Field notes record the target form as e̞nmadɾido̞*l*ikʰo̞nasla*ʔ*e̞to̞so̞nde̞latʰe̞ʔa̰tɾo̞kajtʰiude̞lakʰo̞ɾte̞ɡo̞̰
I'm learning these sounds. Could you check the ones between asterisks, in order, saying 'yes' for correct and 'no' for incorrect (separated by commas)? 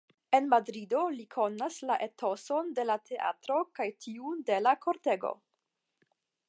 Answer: yes, yes